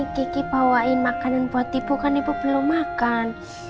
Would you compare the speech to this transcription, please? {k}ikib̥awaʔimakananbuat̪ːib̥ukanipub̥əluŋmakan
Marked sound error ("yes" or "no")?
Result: no